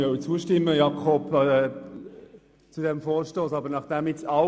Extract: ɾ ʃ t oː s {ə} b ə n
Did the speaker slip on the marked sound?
yes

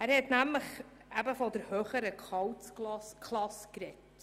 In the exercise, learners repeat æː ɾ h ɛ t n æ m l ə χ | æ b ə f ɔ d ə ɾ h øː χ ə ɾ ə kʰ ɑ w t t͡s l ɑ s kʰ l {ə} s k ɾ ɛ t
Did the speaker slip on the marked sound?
yes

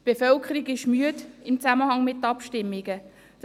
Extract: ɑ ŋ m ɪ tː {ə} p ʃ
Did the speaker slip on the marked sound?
yes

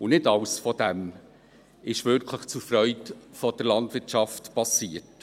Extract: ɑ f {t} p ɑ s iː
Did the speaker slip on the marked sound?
no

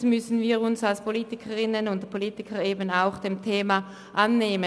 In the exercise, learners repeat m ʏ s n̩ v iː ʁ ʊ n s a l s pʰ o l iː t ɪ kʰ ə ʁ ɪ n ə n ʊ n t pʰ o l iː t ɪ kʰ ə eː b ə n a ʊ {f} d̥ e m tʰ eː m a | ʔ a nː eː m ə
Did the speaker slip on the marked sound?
yes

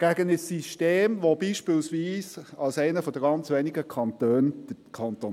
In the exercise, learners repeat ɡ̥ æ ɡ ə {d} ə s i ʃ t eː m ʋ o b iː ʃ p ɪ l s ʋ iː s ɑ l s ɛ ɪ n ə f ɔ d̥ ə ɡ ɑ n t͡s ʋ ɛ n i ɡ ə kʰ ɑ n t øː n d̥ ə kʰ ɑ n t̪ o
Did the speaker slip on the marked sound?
yes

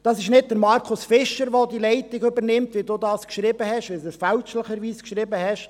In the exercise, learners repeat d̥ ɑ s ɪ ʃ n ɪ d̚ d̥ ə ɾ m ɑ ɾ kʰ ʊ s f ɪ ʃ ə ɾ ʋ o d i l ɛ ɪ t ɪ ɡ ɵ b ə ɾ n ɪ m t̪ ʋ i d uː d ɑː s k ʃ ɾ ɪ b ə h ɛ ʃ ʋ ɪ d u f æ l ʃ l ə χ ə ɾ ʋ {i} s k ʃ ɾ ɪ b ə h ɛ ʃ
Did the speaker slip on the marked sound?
yes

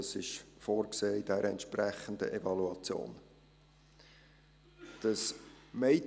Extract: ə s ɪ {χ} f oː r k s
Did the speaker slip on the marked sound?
yes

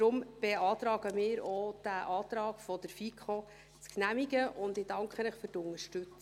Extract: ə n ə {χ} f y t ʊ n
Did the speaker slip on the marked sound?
no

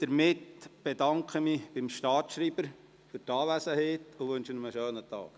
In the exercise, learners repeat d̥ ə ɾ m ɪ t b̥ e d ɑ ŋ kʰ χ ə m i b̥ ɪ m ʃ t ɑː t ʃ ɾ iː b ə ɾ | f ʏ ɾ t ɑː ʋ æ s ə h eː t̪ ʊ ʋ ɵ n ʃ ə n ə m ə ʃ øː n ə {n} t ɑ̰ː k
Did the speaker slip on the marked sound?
yes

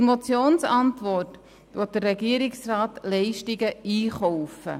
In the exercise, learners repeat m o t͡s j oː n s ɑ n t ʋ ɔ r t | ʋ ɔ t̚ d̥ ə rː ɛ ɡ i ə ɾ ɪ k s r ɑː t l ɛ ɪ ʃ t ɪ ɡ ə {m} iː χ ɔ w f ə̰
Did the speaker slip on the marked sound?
yes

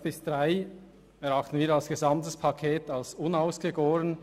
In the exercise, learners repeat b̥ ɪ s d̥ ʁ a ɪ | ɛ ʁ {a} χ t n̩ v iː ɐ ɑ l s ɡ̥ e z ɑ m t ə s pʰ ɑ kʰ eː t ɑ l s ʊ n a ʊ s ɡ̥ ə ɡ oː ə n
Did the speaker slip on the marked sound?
yes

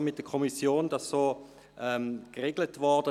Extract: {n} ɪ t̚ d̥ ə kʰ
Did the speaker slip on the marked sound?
yes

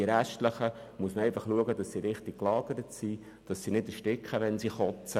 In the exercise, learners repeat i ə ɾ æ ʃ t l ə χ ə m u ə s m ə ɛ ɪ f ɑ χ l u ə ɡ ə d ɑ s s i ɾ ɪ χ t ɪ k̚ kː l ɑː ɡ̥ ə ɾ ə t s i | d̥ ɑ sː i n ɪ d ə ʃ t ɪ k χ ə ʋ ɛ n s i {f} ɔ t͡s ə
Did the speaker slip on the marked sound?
yes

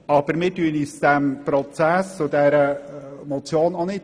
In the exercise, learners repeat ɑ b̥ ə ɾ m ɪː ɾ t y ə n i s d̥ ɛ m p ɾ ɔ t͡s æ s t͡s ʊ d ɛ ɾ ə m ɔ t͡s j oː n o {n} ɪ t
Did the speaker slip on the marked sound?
no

